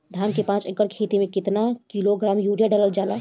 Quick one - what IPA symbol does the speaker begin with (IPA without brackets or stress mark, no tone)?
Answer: d̪ʱ